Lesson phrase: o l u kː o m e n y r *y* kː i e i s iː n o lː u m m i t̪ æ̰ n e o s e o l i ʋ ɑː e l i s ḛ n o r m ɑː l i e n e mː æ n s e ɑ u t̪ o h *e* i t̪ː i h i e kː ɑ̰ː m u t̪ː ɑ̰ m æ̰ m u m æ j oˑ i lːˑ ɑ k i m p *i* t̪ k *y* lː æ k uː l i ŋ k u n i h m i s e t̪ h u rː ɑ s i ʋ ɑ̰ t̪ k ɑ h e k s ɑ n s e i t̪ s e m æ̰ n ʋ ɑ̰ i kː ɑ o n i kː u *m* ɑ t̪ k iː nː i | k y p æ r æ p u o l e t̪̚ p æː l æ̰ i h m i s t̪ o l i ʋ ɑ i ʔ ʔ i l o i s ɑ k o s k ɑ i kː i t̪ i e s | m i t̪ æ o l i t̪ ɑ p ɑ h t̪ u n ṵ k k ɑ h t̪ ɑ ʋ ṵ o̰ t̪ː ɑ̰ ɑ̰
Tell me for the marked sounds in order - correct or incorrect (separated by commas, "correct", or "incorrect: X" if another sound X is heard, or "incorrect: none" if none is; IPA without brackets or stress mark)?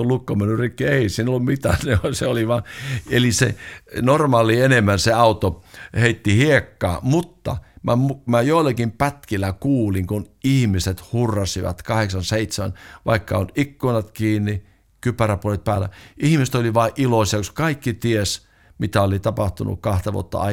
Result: incorrect: i, correct, incorrect: æ, incorrect: i, incorrect: n